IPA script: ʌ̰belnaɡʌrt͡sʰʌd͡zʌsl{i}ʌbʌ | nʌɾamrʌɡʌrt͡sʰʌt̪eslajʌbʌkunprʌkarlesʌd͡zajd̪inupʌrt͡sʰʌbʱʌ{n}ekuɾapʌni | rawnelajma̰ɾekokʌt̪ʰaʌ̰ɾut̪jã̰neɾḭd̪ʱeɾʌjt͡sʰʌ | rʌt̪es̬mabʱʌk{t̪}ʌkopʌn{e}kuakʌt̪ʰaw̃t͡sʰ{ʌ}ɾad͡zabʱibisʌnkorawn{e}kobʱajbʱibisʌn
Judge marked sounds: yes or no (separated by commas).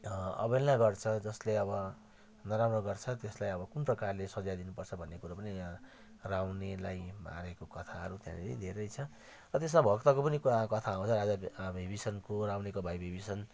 no, no, yes, no, yes, yes